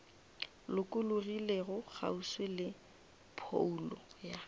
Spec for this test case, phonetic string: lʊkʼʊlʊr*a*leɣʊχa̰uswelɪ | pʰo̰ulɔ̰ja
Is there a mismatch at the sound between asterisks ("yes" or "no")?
yes